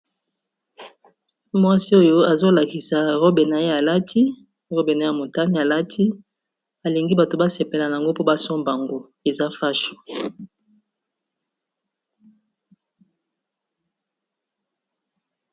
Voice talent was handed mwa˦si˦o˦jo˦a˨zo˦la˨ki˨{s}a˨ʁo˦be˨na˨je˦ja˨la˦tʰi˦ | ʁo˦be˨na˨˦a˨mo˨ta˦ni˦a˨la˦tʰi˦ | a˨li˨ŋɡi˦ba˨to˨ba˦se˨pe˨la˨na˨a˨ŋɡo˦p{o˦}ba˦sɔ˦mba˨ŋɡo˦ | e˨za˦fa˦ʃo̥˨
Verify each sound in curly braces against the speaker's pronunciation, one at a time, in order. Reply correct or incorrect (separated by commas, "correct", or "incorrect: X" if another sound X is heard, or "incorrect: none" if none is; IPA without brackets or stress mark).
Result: correct, correct